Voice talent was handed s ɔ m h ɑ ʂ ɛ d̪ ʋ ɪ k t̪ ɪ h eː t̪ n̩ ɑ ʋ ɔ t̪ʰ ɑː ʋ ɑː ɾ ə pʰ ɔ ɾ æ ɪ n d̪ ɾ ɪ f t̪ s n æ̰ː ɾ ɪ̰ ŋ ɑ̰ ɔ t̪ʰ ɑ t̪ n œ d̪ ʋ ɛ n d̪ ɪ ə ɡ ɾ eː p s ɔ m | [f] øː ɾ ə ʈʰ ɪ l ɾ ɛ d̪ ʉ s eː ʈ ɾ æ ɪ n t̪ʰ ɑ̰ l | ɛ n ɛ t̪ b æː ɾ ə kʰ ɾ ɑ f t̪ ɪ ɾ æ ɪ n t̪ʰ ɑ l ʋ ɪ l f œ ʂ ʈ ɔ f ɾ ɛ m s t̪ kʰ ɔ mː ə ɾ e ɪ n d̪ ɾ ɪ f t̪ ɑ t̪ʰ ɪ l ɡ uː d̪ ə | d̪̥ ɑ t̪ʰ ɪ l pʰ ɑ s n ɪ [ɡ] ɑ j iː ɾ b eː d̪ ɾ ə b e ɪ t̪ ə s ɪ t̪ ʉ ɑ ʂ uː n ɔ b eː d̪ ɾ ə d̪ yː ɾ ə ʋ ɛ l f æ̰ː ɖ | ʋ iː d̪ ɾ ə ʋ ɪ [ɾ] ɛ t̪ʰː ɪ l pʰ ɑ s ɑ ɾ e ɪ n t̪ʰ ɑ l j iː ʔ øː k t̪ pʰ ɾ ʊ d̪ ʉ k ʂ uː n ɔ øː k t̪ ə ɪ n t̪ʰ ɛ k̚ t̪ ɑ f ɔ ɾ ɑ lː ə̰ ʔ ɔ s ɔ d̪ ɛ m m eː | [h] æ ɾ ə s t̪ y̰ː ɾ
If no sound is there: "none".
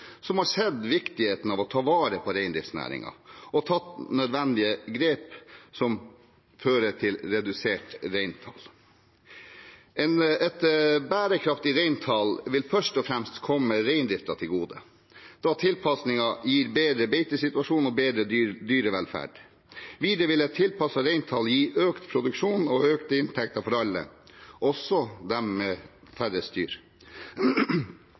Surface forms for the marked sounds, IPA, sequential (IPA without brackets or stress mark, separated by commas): f, ŋ, l, f